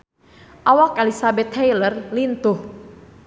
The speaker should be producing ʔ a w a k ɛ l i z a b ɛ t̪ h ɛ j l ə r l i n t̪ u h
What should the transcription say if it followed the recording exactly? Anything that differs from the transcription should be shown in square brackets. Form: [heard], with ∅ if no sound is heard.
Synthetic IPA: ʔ a w a k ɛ l i [s] a b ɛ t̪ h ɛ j l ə r l i n t̪ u h